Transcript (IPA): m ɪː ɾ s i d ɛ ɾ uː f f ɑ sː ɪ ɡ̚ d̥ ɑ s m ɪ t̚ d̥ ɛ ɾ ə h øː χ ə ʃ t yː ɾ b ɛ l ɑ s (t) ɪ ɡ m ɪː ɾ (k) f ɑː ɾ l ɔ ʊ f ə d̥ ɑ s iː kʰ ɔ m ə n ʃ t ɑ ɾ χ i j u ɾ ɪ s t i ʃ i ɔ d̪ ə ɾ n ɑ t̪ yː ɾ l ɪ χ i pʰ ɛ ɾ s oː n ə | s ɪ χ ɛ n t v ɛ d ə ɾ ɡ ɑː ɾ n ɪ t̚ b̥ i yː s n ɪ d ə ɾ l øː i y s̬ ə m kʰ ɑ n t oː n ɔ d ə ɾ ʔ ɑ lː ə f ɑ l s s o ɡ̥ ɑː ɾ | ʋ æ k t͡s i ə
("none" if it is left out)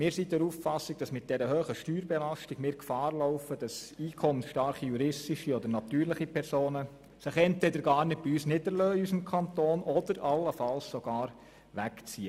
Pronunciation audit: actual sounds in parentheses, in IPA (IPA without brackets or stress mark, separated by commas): t, k